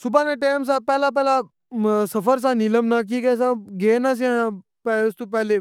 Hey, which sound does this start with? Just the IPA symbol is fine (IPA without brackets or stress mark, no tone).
s